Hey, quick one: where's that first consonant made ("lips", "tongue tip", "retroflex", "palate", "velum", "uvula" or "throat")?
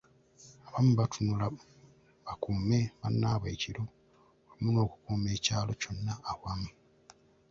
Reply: lips